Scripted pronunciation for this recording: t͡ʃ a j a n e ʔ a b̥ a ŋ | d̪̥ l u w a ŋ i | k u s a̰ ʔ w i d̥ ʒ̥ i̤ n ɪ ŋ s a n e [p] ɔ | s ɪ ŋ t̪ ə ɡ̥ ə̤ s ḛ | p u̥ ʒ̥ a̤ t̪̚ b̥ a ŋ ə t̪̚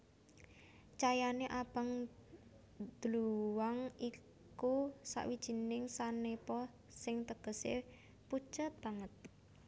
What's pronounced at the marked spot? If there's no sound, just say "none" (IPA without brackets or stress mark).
p